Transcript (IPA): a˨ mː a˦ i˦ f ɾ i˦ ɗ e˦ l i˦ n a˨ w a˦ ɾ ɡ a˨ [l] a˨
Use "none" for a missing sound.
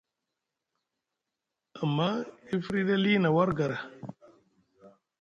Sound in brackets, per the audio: ɾ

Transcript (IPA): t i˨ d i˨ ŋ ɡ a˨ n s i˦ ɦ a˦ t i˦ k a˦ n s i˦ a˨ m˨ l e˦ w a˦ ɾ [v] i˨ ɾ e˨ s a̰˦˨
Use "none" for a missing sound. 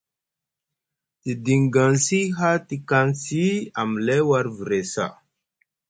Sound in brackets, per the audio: v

